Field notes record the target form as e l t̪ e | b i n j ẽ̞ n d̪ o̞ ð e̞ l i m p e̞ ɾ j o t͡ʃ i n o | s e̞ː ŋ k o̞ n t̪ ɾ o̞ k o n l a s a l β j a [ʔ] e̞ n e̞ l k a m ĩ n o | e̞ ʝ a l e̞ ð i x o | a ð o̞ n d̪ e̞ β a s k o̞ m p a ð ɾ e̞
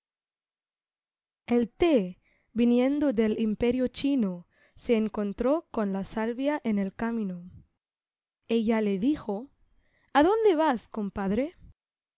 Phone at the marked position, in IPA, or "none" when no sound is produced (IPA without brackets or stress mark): ʔ